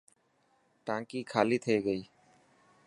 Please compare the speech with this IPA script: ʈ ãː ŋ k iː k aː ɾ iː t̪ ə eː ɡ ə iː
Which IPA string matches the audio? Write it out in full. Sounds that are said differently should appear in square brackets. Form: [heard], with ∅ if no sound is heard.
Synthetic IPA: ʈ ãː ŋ k iː [kʰ] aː [l] iː [t̪ʰ] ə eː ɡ ə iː